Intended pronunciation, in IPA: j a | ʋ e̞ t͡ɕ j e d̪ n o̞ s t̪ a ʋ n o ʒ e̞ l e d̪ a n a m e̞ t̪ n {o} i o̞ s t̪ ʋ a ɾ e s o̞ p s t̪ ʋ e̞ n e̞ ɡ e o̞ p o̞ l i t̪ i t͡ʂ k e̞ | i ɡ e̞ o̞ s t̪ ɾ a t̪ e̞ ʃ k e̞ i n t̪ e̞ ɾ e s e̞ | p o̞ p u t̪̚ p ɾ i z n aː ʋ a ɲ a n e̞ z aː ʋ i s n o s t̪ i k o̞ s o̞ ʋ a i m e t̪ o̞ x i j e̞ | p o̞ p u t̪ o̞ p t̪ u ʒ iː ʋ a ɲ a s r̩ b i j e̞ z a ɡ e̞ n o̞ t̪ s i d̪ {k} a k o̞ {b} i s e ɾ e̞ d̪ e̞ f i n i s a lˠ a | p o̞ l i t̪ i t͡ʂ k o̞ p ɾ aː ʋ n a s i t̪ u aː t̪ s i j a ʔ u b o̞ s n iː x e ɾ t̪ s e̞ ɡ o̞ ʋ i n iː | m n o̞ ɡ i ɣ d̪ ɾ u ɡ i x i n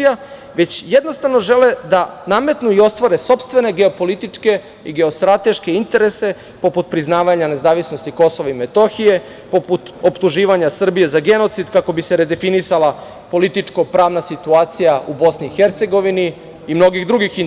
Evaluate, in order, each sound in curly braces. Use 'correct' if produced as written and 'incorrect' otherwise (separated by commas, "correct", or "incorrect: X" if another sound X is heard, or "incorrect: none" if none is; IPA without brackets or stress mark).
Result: incorrect: u, correct, correct